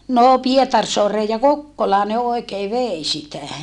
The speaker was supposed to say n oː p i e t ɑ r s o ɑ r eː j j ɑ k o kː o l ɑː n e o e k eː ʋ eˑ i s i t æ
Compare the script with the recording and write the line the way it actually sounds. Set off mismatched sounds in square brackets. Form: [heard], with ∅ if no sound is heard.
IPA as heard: n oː p i e t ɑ r s o ɑ r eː j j ɑ k o kː o l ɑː n e o e k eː ʋ eˑ i s i t æ